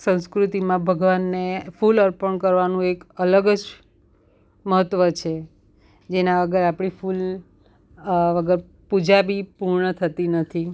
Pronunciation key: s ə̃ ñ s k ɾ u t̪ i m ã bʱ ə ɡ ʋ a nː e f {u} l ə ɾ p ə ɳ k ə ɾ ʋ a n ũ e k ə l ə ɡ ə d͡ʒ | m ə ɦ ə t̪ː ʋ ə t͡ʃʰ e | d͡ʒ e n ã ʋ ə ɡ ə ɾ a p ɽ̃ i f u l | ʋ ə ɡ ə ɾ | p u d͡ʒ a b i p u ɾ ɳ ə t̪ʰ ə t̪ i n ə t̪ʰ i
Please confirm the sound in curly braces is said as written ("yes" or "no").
yes